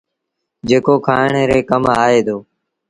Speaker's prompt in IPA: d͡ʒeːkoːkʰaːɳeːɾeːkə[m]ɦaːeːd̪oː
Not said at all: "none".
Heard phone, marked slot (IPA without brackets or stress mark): m